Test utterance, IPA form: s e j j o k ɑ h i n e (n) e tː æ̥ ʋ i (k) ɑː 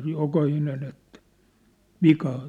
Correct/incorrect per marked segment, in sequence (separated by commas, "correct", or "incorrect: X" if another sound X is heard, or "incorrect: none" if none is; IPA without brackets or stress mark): correct, correct